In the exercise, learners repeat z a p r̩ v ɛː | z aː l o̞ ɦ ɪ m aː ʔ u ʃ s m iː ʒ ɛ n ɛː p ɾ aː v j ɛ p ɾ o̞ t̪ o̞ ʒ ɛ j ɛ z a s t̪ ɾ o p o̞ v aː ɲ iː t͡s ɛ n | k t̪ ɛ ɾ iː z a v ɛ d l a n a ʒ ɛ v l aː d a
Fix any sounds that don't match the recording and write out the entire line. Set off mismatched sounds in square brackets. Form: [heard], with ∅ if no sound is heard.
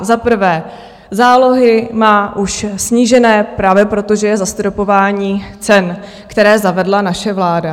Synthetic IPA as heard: z a p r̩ v ɛː | z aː l o̞ ɦ ɪ m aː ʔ u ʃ s [ɲ] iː ʒ ɛ n ɛː p ɾ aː v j ɛ p ɾ o̞ t̪ o̞ ʒ ɛ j ɛ z a s t̪ ɾ o p o̞ v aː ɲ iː t͡s ɛ n | k t̪ ɛ ɾ [ɛː] z a v ɛ d l a n a [ʃ] ɛ v l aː d a